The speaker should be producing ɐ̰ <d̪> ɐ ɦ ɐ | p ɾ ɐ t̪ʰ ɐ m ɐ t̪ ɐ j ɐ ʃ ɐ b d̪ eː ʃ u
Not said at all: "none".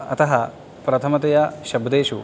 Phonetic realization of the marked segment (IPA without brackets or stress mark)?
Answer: t̪